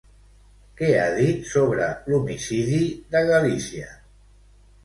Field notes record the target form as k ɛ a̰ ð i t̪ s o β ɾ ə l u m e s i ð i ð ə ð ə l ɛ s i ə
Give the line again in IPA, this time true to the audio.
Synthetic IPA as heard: k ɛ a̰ ð i t̪ s o β ɾ ə l u m i s i ð i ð ə ɣ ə l i s i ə